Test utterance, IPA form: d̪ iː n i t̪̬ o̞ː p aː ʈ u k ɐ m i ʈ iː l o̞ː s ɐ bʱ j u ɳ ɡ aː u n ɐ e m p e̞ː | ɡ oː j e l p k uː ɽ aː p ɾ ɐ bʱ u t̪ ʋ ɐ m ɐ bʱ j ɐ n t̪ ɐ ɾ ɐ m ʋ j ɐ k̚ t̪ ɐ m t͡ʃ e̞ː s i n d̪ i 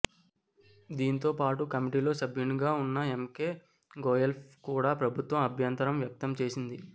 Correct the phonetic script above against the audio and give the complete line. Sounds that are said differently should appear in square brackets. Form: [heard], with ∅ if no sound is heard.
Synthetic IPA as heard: d̪ iː n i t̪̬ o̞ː p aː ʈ u k ɐ m i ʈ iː l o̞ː s ɐ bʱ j u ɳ ɡ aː u [nː] ɐ e m [k] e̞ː | ɡ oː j e l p k uː ɽ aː p ɾ ɐ bʱ u t̪ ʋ ɐ m ɐ bʱ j ɐ n t̪ ɐ ɾ ɐ m ʋ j ɐ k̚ t̪ ɐ m t͡ʃ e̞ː s i n d̪ i